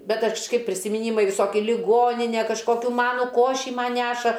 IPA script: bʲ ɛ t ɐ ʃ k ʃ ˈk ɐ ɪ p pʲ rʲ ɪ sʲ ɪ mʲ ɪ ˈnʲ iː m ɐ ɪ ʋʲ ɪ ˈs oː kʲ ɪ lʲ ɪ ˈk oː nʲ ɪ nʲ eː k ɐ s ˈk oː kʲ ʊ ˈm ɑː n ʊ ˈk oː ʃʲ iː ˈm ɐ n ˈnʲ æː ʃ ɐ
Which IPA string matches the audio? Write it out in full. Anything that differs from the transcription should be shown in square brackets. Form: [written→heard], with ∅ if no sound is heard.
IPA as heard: bʲ ɛ t ɐ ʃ k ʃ ˈk ɐ ɪ p pʲ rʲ ɪ sʲ ɪ mʲ ɪ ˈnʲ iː m ɐ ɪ ʋʲ ɪ ˈs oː kʲ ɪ lʲ ɪ [ˈk→ˈɡ] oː nʲ ɪ nʲ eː k ɐ [s→ʃ] ˈk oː kʲ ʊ ˈm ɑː n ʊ ˈk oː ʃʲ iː ˈm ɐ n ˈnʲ æː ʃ ɐ